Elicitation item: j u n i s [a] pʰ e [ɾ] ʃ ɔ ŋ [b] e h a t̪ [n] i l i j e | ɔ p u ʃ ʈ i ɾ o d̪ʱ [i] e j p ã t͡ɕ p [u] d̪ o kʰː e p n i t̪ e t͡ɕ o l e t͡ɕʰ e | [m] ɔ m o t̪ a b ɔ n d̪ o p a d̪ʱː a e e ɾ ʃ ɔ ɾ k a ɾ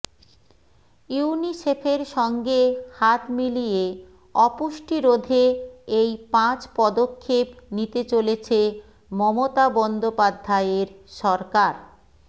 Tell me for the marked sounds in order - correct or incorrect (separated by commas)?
incorrect, correct, incorrect, incorrect, incorrect, incorrect, correct